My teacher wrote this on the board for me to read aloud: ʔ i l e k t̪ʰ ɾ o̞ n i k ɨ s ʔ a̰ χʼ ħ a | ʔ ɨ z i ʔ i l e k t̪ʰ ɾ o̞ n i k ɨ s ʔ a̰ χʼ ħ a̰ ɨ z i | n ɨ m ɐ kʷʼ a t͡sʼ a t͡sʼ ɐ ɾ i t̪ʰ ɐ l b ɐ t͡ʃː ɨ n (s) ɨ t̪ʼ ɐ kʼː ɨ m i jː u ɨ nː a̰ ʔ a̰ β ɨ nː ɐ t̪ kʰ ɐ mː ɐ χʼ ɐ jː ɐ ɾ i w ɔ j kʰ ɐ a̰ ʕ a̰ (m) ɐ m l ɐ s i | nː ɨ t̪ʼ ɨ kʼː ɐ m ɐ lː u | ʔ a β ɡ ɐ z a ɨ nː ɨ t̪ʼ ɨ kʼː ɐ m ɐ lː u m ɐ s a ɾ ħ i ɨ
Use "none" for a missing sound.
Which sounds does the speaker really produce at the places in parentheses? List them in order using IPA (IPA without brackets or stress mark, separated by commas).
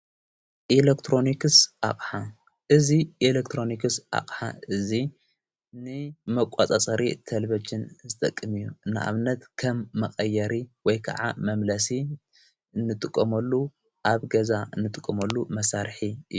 z, m